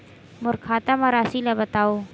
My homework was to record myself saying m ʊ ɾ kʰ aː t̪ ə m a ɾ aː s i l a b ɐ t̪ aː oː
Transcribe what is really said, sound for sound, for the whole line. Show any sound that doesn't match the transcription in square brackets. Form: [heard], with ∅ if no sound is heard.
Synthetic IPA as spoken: m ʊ ɾ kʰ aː t̪ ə m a ɾ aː s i l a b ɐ t̪ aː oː